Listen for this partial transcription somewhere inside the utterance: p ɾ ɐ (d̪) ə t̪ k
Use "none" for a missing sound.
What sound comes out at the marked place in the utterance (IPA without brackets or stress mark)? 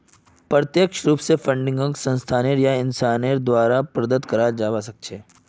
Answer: d̪